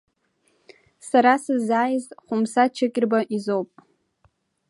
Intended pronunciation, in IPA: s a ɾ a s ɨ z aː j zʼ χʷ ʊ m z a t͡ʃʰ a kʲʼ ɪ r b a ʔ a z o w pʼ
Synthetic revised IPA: s a ɾ a s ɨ z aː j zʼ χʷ ʊ m s a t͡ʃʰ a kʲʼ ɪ r b a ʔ i z o w pʼ